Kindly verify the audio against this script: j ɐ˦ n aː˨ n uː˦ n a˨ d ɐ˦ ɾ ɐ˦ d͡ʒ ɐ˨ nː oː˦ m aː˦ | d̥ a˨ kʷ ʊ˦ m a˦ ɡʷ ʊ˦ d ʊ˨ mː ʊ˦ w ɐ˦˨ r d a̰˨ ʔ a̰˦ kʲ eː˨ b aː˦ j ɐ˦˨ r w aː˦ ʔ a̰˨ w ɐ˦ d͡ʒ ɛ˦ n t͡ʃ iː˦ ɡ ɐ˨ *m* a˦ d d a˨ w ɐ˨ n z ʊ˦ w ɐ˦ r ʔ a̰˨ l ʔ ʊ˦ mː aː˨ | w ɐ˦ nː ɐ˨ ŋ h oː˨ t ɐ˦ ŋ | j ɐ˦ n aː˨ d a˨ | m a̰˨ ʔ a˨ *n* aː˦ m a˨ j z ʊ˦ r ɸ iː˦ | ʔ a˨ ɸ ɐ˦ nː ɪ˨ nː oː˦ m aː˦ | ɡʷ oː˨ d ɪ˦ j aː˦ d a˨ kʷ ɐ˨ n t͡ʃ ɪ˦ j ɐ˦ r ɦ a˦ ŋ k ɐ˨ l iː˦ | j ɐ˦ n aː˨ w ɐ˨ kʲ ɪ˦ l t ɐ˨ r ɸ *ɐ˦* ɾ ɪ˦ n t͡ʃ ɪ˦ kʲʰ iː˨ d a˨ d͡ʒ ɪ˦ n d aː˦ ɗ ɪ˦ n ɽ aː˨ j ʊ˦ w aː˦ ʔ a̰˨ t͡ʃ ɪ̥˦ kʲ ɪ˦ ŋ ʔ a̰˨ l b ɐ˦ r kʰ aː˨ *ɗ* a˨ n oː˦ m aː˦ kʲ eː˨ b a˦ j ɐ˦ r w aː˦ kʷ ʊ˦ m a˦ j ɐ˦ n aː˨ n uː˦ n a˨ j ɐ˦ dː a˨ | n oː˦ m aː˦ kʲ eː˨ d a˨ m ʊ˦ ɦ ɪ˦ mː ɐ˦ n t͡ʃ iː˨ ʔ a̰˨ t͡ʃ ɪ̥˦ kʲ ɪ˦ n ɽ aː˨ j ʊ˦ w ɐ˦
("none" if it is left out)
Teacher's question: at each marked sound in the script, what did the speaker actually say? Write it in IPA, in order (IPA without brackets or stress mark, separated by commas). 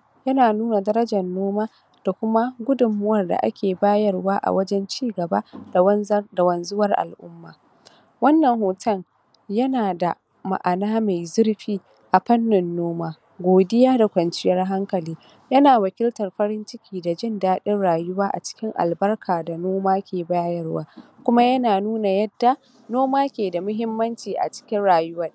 b, n, ɐ˦, d